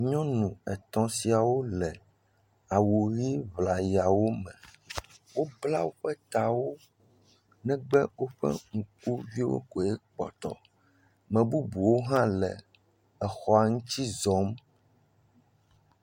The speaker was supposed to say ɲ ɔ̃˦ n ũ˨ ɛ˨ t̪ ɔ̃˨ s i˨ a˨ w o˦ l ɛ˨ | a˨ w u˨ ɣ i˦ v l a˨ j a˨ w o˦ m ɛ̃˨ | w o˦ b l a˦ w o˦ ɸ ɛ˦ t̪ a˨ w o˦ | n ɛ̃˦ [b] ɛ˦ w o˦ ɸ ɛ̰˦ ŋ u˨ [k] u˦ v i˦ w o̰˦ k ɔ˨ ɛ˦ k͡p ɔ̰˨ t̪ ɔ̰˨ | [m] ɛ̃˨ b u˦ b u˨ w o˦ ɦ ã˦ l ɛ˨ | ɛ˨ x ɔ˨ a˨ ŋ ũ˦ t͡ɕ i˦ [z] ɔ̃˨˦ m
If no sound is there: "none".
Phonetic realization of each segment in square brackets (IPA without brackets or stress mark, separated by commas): ɡ͡b, k, m, z